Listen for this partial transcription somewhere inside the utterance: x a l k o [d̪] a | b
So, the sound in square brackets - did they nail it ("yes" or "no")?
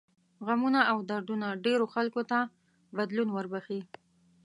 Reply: no